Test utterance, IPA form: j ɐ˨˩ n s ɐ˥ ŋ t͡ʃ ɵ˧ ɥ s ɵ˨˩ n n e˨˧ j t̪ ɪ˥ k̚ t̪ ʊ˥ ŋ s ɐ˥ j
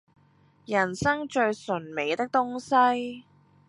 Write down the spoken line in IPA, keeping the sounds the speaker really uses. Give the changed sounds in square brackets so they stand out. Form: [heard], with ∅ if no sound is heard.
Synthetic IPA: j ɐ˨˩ n s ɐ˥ ŋ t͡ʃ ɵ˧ ɥ s ɵ˨˩ n [m] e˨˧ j t̪ ɪ˥ k̚ t̪ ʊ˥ ŋ s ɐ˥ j